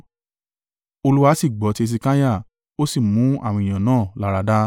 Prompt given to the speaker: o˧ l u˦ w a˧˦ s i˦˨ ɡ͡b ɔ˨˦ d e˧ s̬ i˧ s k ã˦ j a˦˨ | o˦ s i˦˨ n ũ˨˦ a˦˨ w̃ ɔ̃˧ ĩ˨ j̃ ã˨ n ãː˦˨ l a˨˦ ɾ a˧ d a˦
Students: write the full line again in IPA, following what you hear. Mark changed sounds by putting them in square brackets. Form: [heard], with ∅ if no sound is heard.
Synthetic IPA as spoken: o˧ l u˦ w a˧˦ s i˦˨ ɡ͡b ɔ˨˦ [t] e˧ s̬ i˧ [∅] k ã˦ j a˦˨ | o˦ s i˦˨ [m] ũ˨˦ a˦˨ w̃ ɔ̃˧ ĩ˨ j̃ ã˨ n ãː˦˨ l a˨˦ ɾ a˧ d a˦